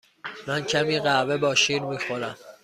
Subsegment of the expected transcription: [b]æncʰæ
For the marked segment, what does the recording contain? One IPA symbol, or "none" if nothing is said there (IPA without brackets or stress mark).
m